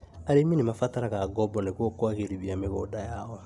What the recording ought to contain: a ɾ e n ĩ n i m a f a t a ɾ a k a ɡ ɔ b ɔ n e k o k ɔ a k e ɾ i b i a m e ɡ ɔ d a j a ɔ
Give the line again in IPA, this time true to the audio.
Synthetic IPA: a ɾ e m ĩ n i m a f a t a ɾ a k a ɡ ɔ b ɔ n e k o k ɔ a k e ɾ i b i a m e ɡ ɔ d a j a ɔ